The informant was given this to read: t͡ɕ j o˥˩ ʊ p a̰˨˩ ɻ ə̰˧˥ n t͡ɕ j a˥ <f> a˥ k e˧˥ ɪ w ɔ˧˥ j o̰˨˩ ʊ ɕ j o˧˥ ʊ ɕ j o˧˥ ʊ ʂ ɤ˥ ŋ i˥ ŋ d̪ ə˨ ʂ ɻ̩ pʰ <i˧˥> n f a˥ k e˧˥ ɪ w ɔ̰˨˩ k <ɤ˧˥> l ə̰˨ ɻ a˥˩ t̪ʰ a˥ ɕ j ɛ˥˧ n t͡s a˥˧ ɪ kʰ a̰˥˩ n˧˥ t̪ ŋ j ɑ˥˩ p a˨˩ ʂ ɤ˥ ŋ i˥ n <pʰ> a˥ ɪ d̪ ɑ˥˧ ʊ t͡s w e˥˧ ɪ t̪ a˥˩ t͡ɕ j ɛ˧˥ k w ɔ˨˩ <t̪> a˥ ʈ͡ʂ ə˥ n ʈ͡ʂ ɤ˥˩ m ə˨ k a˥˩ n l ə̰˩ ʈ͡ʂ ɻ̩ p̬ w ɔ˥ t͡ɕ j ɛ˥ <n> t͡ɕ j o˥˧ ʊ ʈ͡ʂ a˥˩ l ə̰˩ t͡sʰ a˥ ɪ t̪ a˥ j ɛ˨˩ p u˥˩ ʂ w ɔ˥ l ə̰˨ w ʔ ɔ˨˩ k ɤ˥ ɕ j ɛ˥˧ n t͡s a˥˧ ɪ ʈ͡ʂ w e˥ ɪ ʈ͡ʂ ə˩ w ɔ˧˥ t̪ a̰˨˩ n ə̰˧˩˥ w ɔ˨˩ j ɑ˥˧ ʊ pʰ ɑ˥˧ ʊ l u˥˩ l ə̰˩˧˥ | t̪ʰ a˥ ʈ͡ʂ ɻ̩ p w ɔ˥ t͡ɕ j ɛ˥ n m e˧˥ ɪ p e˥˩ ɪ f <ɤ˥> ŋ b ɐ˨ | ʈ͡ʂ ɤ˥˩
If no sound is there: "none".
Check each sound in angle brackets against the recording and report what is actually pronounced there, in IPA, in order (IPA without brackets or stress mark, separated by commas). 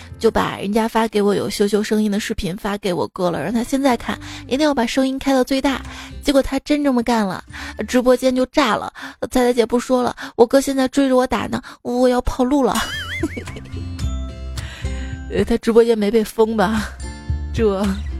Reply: f, i˧˥, ɤ˥, kʰ, t̪ʰ, n, ɤ˥